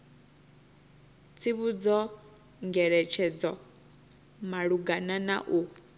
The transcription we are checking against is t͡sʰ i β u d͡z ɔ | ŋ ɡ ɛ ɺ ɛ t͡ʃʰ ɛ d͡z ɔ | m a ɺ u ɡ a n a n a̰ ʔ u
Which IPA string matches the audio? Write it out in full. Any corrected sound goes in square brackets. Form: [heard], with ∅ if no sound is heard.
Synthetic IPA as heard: t͡sʰ i β u d͡z ɔ | ŋ ɡ ɛ ɺ ɛ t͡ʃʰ ɛ d͡z ɔ | m a ɺ u ɡ a n a n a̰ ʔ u